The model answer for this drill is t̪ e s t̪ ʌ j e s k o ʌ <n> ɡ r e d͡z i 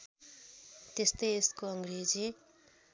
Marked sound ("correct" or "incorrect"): incorrect